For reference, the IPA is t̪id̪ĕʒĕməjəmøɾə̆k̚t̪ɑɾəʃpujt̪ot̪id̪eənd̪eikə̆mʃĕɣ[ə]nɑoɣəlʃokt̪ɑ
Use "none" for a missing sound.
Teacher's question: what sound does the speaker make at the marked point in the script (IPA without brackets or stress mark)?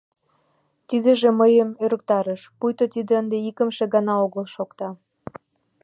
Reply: ɑ